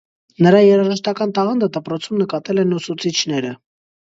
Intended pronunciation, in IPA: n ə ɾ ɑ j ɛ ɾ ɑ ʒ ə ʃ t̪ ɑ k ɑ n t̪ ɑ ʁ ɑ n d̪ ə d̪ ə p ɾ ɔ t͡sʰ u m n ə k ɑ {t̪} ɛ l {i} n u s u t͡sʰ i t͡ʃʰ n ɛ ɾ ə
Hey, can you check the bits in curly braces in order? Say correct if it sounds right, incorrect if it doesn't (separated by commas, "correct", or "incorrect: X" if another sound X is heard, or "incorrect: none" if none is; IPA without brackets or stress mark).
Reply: correct, incorrect: ɛ